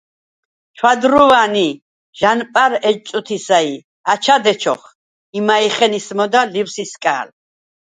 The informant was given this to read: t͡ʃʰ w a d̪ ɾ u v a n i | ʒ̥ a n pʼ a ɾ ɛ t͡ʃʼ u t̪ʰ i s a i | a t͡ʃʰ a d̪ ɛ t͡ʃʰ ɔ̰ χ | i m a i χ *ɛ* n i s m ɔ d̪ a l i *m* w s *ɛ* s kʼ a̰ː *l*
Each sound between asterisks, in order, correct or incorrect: correct, incorrect: none, incorrect: i, correct

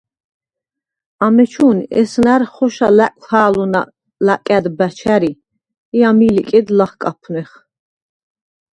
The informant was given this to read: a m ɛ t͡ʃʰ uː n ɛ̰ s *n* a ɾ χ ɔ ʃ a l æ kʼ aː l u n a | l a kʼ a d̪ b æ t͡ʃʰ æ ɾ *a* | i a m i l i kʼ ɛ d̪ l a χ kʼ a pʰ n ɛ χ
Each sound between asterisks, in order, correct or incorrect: correct, incorrect: i

